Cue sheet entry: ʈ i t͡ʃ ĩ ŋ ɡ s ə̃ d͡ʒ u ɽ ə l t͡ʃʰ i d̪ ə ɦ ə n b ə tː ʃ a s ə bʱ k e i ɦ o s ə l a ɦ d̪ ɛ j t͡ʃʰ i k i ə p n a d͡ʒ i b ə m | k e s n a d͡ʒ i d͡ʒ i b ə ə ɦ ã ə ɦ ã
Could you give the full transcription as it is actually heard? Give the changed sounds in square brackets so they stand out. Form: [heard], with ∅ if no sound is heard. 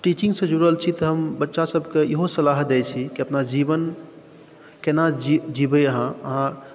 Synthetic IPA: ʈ i t͡ʃ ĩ ŋ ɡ s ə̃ d͡ʒ u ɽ ə l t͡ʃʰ i [t̪] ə ɦ ə [m] b ə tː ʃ a s ə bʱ k e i ɦ o s ə l a ɦ d̪ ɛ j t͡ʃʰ i k i ə p n a d͡ʒ i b ə [n] | k e [∅] n a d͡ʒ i d͡ʒ i b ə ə ɦ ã ə ɦ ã